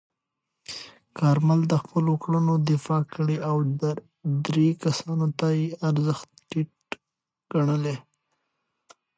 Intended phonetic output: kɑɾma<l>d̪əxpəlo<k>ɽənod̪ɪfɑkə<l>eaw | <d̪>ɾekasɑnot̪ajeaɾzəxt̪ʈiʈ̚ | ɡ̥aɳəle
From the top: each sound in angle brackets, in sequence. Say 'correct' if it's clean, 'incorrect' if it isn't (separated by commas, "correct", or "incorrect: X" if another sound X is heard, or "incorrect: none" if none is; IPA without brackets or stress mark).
correct, correct, incorrect: ɽ, correct